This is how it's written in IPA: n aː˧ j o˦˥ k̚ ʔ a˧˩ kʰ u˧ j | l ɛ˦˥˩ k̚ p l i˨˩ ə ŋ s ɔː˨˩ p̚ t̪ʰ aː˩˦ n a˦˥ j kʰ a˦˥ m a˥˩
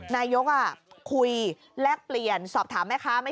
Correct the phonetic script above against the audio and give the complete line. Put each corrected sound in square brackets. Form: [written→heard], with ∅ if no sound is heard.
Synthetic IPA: n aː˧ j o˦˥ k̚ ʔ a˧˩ kʰ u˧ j | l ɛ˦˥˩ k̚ p l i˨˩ ə [ŋ→n] s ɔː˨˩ p̚ t̪ʰ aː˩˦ [n→m] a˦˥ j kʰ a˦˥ m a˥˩